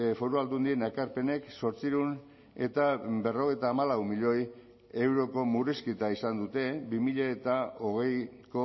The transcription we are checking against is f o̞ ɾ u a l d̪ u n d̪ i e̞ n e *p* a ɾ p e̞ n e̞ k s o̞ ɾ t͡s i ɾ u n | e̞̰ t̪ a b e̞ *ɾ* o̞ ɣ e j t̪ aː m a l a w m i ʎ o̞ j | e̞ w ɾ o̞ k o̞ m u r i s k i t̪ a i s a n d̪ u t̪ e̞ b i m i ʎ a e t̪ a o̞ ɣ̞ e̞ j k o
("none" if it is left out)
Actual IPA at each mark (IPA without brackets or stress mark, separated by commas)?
k, r